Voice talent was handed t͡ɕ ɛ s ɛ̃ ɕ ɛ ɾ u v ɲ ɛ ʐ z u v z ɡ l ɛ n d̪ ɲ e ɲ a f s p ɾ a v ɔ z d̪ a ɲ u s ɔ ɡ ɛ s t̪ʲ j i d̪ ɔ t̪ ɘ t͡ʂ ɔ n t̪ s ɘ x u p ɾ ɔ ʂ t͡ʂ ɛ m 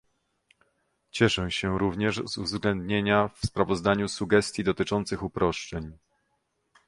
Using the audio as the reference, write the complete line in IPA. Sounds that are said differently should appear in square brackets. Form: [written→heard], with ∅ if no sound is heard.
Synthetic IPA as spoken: t͡ɕ ɛ [s→ʂ] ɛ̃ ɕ ɛ ɾ u v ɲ ɛ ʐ z u v z ɡ l ɛ n d̪ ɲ e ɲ a f s p ɾ a v ɔ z d̪ a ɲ u s [ɔ→u] ɡ ɛ s t̪ʲ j i d̪ ɔ t̪ ɘ t͡ʂ ɔ n t̪ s ɘ x u p ɾ ɔ ʂ t͡ʂ ɛ [m→ɲ]